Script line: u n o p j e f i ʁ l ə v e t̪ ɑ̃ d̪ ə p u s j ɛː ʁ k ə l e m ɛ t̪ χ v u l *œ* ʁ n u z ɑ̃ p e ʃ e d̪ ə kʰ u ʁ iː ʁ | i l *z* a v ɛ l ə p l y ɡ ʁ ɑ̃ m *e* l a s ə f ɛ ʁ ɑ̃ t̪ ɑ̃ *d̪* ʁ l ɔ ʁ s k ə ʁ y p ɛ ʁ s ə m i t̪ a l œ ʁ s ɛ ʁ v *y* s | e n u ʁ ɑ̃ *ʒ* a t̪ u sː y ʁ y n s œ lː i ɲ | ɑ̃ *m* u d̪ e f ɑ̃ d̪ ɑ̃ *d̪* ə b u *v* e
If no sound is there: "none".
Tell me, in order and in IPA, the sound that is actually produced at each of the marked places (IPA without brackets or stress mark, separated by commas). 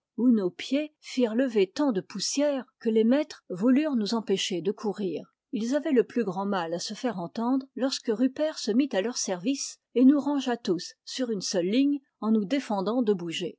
y, z, a, d̪, i, ʒ, n, d̪, ʒ